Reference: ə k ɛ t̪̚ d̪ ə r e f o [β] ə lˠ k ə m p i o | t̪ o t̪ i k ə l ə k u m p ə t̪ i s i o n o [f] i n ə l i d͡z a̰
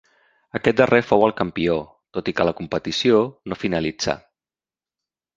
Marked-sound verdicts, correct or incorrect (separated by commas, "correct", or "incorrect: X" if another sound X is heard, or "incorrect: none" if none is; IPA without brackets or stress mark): incorrect: w, correct